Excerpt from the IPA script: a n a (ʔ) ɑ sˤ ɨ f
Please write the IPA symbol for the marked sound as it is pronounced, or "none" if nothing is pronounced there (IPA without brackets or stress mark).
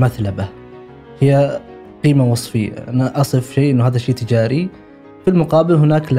ʔ